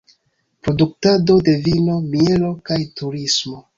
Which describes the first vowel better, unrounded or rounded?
rounded